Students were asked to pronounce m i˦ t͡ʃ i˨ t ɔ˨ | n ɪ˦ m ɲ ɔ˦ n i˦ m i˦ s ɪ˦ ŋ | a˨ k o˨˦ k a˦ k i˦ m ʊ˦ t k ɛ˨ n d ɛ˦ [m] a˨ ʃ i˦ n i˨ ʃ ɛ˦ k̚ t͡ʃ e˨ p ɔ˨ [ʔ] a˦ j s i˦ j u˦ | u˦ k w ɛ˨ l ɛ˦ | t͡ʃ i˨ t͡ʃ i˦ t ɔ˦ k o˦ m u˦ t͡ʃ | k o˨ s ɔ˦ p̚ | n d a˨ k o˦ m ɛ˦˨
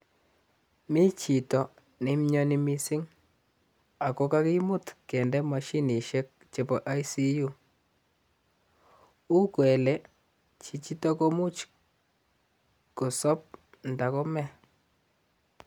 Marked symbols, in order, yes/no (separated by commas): yes, yes